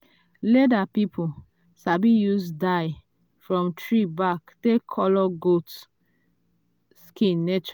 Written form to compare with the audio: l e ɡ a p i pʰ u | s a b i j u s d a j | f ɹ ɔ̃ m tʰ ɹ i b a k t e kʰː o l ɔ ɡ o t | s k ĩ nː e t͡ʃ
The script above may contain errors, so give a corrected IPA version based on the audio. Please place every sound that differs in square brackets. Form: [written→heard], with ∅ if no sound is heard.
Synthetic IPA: l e [ɡ→d] a p i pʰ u | s a b i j u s d a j | f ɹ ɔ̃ m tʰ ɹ i b a k t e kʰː [o→ɔ] l ɔ ɡ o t | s k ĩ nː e t͡ʃ